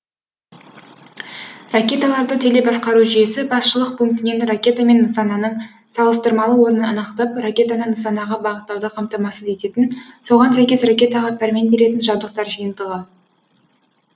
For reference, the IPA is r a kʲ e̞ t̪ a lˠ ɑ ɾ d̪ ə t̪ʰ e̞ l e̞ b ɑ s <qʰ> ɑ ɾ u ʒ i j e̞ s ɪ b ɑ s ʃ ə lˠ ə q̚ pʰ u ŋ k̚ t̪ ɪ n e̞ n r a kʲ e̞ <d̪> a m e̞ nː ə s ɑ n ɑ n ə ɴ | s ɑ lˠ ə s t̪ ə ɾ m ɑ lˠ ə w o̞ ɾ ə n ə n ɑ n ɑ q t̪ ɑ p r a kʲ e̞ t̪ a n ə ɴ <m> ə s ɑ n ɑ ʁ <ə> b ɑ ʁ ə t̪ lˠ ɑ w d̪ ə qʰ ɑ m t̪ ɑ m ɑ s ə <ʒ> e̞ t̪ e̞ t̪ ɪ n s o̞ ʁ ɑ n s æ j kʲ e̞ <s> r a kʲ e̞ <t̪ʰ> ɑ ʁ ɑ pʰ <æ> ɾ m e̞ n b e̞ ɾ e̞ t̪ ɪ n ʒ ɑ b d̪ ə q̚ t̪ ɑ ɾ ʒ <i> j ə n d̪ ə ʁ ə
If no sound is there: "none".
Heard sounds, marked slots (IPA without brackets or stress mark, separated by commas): q, t̪, n, ɑ, z, s, t̪, æ, i